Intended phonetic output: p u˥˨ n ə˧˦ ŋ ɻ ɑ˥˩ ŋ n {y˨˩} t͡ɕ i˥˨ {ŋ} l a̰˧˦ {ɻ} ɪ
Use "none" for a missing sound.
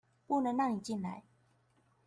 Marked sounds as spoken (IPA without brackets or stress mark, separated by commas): i˨˩, n, none